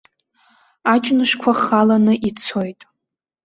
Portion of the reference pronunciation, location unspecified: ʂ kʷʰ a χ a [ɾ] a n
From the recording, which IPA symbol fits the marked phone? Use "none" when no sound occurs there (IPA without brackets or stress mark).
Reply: l